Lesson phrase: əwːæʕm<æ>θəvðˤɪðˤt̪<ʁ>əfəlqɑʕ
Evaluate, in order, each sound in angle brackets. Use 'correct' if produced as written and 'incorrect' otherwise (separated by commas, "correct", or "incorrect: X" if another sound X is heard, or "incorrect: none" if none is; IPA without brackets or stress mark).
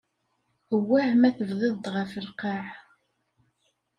correct, correct